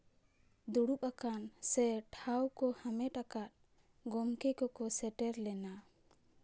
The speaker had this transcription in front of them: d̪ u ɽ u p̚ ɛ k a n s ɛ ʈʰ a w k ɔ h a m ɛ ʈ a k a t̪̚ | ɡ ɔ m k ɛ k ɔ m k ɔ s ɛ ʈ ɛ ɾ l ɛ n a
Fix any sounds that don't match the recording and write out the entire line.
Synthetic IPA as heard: d̪ u ɽ u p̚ a k a n s ɛ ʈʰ a w k ɔ h a m ɛ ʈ a k a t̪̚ | ɡ ɔ m k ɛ k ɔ k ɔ s ɛ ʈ ɛ ɾ l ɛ n a